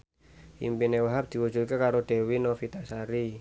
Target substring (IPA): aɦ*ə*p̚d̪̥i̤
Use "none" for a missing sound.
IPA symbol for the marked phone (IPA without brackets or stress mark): a